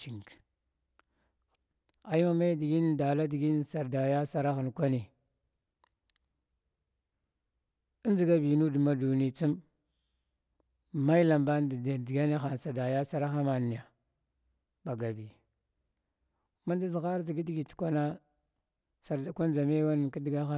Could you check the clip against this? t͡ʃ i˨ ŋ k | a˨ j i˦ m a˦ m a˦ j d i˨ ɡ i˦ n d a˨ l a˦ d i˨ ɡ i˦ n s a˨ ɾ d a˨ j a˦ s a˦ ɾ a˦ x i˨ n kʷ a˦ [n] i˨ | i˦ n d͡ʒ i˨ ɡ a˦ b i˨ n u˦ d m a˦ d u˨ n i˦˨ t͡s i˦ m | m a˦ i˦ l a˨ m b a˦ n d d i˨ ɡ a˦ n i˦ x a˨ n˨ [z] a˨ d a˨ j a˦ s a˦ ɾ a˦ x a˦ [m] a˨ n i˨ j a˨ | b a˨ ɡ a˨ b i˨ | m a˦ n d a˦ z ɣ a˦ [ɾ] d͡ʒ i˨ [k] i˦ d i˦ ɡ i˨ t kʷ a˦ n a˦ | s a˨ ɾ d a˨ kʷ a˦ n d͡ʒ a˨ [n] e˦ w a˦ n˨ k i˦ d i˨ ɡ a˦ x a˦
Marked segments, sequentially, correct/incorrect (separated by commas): correct, incorrect, correct, correct, incorrect, incorrect